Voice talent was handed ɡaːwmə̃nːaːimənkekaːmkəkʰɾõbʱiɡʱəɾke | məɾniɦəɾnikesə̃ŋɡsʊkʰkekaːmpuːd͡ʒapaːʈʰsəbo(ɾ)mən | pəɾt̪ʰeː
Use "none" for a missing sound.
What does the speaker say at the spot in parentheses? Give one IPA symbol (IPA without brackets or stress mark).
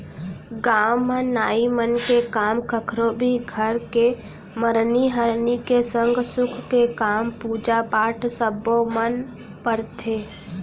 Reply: none